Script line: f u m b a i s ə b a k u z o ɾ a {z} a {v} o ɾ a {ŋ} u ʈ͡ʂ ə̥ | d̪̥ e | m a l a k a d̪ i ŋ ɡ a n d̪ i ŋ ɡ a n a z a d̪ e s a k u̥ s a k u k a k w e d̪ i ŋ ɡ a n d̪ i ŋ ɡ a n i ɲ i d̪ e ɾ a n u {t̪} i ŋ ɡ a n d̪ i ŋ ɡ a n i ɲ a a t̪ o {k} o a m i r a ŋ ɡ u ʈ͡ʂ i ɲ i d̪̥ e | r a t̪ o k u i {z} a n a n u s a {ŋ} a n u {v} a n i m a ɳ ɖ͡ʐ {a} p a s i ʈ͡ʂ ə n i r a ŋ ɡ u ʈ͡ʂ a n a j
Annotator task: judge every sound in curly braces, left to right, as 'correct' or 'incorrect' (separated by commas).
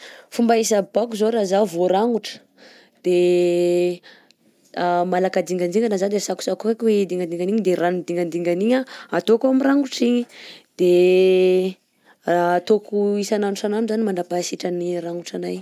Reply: correct, correct, correct, incorrect, correct, incorrect, incorrect, incorrect, correct